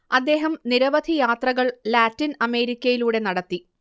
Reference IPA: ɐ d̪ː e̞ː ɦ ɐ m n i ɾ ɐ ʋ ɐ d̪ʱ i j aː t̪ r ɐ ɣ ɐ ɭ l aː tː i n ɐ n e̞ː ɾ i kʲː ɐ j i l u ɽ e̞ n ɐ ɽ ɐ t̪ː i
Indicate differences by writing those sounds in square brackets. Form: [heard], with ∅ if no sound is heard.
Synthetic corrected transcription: ɐ d̪ː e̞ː ɦ ɐ m n i ɾ ɐ ʋ ɐ d̪ʱ i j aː t̪ r ɐ ɣ ɐ ɭ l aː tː i n ɐ [m] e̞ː ɾ i kʲː ɐ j i l [uː] ɽ e̞ n ɐ ɽ ɐ t̪ː i